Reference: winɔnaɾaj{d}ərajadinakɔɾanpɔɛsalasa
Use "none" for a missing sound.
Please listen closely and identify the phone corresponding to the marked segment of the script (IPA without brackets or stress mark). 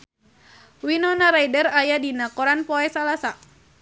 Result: d